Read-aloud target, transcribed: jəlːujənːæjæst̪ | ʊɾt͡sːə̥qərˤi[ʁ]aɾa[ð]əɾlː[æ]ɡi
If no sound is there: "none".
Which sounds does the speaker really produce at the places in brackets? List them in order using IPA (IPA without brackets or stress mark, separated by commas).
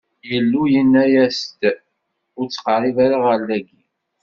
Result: v, ʁ, æ